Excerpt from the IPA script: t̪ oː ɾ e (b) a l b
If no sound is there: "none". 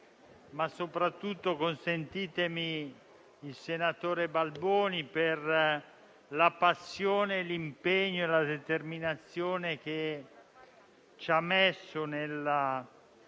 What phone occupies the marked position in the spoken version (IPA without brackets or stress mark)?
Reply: b